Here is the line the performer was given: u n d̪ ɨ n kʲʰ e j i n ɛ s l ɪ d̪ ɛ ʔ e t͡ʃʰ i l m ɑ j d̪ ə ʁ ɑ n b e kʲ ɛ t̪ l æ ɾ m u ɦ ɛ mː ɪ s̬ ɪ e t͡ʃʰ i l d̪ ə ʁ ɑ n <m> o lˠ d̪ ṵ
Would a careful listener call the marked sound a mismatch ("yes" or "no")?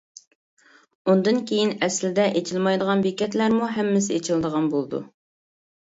yes